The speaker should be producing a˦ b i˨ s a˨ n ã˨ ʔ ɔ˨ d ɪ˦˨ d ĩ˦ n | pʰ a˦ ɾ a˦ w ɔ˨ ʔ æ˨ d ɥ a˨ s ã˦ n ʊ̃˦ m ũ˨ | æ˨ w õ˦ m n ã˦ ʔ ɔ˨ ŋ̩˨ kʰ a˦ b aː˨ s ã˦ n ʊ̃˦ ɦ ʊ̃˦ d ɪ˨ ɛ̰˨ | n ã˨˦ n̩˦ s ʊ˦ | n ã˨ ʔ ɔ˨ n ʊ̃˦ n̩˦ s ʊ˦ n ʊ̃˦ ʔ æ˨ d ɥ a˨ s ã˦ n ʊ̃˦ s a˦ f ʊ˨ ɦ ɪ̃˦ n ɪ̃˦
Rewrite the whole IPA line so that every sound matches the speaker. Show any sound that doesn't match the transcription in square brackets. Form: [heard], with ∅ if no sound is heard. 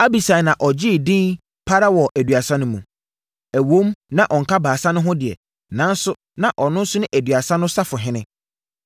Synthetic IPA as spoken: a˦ b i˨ s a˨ n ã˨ ʔ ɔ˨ [d͡ʑ] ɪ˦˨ d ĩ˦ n | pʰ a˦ ɾ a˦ w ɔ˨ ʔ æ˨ d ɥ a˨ s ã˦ n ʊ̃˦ m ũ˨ | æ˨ w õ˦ m n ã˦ ʔ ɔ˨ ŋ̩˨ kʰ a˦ b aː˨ s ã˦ n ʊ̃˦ ɦ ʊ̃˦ d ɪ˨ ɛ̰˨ | n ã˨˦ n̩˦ s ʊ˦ | n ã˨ ʔ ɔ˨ n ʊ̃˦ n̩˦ s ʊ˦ n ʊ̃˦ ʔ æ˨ d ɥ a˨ s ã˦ n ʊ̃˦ s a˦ f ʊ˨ ɦ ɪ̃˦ n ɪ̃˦

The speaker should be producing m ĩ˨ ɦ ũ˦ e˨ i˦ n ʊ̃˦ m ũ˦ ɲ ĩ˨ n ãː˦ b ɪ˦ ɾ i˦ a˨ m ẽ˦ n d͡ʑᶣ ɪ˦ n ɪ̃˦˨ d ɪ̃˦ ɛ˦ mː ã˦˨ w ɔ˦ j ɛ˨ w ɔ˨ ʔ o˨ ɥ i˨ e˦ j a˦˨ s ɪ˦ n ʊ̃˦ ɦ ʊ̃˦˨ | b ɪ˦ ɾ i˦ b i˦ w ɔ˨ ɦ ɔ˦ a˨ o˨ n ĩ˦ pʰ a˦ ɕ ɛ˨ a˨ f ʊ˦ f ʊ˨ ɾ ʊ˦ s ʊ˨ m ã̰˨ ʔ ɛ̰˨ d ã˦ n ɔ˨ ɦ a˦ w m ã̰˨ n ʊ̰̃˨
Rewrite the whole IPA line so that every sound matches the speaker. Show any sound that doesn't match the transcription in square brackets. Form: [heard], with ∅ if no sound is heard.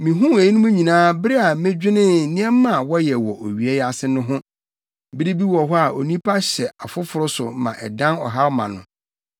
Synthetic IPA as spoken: m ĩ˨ ɦ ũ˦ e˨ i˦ n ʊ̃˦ m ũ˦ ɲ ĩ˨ n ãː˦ b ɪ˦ ɾ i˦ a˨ m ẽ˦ [∅] d͡ʑᶣ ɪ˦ n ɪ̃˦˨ [n] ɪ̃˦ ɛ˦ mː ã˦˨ w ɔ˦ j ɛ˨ w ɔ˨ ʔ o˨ ɥ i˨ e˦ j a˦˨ s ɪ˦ n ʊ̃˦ ɦ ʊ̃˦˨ | b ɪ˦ ɾ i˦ b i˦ w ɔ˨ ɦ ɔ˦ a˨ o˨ n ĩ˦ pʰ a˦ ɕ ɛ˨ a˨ f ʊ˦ f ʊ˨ ɾ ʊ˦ s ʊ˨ m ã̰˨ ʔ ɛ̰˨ d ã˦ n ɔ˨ ɦ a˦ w m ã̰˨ n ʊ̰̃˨

